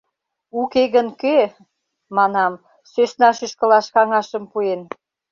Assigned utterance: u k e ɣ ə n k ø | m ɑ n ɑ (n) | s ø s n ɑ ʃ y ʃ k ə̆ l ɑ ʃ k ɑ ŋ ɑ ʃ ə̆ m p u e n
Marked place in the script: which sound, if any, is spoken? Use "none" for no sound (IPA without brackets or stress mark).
m